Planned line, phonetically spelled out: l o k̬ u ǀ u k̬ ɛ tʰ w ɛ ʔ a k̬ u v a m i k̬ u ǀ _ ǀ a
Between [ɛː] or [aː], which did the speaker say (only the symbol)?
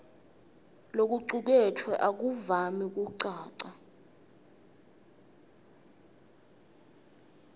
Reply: aː